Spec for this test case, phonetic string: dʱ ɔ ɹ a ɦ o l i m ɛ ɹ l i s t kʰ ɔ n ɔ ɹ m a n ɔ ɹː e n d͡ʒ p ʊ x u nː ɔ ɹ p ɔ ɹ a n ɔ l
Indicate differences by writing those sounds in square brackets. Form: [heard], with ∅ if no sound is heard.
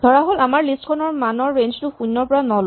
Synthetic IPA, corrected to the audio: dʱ ɔ ɹ a ɦ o l [a] m [a] ɹ l i s t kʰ ɔ n ɔ ɹ m a n ɔ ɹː e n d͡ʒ [t] ʊ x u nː ɔ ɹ p ɔ ɹ a n ɔ l